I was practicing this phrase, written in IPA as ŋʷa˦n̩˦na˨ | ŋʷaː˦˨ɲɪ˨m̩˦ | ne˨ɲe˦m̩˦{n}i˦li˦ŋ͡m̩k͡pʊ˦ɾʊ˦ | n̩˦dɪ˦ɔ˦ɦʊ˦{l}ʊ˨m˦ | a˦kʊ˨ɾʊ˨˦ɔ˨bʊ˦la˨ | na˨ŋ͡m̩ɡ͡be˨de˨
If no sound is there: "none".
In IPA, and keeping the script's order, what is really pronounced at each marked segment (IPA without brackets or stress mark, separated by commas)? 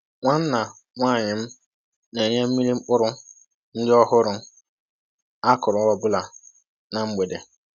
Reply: m, ɾ